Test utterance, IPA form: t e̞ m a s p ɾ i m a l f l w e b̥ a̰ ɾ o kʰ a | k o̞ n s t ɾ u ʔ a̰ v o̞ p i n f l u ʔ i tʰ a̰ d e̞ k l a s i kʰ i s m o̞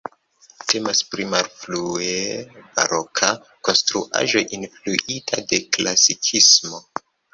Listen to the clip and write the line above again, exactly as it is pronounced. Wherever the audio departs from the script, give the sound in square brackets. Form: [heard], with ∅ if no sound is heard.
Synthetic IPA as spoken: t e̞ m a s p ɾ i m a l f l [u] e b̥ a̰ ɾ o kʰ a | k o̞ n s t ɾ u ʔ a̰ [ʒ] o̞ [ʔ] i n f l u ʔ i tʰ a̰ d e̞ k l a s i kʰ i s m o̞